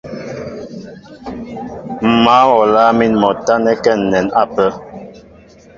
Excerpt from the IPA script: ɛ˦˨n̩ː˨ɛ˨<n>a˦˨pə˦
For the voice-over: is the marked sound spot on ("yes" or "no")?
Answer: yes